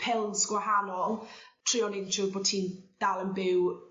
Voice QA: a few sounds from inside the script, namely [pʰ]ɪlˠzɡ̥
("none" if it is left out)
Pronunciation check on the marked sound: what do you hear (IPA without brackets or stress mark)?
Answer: pʰ